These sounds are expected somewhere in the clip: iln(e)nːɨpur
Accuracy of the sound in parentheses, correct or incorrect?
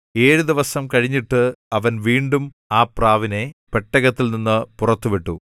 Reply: incorrect: i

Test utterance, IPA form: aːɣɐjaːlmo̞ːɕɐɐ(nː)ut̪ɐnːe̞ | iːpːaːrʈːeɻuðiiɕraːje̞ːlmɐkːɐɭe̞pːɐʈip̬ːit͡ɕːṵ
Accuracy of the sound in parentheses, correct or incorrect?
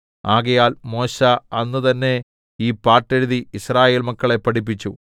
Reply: correct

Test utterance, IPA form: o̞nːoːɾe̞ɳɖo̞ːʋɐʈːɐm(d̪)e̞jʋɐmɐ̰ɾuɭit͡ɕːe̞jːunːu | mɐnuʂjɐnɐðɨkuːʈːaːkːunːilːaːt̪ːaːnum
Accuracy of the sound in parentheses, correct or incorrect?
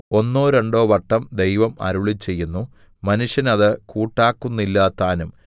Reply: correct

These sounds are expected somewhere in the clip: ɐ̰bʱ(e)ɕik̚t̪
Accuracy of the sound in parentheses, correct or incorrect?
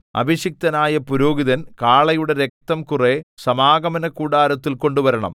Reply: incorrect: i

